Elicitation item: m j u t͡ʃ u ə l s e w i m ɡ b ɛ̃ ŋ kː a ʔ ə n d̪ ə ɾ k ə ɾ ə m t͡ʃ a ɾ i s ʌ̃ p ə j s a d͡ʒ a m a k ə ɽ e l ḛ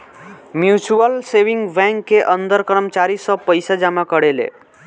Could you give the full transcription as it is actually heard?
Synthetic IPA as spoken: m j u t͡ʃ u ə l s e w i ŋ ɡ b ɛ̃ ŋ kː e ʔ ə n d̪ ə ɾ k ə ɾ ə m t͡ʃ a ɾ i s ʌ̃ p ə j s a d͡ʒ a m a k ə ɽ e l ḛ